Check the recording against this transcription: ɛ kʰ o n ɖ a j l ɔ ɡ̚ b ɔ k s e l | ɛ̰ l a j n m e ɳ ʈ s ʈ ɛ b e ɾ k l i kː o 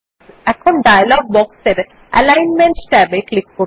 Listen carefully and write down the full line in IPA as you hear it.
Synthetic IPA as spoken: ɛ kʰ o n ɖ a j l ɔ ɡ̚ b ɔ k s e ɾ | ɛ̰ l a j n m e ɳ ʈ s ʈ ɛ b e k l i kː o